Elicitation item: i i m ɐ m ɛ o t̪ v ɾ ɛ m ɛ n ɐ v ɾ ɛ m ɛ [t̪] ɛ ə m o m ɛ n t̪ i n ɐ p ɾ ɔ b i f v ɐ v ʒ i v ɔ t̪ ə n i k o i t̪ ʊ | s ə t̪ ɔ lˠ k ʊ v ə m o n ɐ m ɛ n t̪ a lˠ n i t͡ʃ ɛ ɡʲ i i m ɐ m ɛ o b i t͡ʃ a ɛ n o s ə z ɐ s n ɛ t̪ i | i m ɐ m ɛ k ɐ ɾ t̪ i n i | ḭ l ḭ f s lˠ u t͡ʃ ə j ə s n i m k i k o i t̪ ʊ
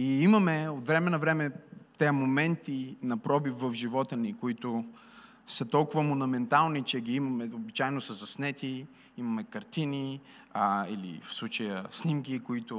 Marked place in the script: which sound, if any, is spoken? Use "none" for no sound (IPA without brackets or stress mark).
t̪